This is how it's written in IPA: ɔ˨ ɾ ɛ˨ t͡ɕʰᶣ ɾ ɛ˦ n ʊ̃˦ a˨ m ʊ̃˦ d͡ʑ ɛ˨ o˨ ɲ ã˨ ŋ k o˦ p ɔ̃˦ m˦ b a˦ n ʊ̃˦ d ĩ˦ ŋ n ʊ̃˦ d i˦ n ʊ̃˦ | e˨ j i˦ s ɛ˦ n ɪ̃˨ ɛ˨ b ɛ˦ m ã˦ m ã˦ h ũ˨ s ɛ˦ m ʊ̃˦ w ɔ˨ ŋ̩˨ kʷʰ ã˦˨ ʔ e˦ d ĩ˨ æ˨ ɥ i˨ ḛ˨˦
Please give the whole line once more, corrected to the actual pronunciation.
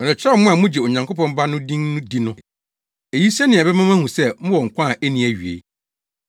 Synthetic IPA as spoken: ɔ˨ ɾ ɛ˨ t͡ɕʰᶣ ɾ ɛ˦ m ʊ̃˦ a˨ m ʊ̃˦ d͡ʑ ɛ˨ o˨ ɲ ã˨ ŋ k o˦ p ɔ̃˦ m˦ b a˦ n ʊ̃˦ d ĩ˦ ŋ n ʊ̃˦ d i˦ n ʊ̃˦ | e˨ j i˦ s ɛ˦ n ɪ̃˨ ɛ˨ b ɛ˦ m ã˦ m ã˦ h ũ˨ s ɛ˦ m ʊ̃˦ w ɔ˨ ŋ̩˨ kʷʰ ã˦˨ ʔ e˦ n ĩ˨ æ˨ ɥ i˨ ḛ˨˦